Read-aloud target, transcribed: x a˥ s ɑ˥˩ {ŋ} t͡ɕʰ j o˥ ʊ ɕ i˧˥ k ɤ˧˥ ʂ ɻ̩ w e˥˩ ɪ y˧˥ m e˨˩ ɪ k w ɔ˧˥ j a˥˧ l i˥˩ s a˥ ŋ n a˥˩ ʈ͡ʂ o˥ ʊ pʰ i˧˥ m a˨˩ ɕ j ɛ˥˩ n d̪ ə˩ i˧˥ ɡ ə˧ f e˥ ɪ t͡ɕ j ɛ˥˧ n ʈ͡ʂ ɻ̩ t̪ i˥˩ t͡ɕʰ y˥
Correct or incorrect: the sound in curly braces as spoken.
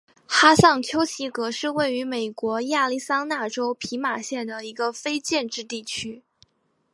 correct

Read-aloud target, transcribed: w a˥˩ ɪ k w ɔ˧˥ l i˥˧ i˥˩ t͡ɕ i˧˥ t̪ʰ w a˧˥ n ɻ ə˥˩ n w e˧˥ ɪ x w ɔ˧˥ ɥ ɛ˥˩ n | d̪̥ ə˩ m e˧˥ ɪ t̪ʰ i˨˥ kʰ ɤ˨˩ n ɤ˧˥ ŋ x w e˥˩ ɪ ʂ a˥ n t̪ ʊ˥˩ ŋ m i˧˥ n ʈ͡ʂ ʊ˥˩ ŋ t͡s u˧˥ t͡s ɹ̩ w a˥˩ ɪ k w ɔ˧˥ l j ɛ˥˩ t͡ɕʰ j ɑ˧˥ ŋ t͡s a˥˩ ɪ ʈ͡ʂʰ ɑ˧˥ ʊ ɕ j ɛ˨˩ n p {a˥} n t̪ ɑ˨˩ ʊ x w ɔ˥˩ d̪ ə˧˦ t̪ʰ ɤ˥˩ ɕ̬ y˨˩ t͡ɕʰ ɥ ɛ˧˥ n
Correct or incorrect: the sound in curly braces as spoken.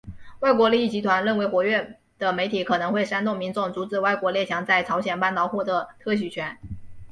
incorrect: a˥˩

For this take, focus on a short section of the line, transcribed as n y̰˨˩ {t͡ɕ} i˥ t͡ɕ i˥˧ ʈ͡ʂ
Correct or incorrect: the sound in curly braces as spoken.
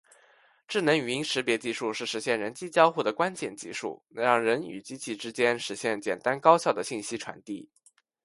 correct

